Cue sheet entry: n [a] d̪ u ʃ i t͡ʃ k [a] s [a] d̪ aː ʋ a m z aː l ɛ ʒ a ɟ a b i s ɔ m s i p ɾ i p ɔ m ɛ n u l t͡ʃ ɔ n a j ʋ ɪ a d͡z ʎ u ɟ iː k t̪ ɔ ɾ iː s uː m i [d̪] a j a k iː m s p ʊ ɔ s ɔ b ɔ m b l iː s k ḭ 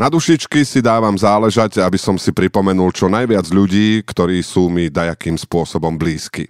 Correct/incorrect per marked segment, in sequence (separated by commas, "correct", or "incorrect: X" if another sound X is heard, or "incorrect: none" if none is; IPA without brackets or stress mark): correct, incorrect: i, incorrect: i, correct